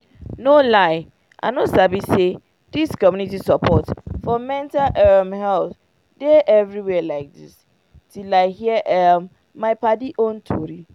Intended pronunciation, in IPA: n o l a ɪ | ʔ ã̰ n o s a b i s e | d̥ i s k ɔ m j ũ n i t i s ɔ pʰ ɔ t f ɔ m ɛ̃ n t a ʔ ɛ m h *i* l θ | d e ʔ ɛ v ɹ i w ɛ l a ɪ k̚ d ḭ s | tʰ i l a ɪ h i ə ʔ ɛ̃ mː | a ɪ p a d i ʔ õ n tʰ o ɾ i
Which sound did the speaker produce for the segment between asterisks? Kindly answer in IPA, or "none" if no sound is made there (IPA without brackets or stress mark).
ɛ